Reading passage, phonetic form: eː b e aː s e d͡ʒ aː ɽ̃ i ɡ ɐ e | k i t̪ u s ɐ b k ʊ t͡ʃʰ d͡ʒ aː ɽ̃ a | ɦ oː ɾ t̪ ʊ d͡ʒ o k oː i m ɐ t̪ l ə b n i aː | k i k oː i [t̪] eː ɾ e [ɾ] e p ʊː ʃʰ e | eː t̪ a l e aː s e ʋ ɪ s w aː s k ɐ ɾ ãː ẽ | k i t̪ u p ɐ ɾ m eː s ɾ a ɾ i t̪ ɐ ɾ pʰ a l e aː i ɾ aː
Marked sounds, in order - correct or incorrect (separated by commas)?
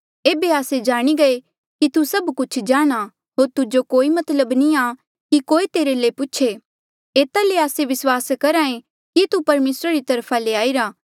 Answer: correct, incorrect